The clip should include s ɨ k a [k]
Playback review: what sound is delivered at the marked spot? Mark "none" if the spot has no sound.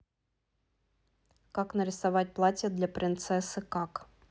k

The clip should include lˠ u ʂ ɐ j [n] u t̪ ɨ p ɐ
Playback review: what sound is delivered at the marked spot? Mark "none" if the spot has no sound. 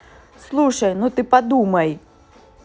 n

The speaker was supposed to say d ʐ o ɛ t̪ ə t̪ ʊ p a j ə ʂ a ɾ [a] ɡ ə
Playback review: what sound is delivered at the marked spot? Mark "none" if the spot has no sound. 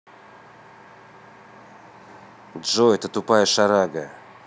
a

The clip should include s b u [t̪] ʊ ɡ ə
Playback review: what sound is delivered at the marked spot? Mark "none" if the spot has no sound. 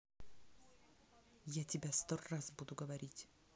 d̪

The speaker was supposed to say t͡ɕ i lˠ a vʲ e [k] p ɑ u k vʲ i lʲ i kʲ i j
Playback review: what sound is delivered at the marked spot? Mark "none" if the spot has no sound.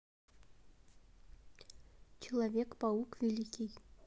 k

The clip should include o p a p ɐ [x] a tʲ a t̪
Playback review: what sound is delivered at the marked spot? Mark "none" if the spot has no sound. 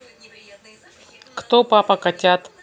k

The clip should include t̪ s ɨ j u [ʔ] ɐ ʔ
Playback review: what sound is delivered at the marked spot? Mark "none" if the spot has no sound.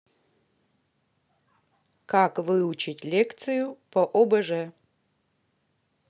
p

